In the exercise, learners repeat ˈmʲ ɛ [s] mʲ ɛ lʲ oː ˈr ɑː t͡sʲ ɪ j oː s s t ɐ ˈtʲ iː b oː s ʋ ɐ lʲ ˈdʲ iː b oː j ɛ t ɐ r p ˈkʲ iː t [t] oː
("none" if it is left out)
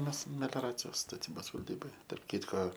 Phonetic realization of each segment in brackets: s, k

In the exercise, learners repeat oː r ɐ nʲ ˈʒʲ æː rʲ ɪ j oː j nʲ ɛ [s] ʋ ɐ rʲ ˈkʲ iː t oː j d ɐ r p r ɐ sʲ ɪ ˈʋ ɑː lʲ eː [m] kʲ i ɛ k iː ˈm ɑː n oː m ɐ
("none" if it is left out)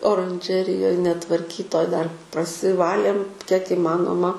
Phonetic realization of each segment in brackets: t, m

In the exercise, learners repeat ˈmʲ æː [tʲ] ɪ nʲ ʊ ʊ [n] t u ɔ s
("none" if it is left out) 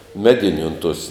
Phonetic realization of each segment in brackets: dʲ, n

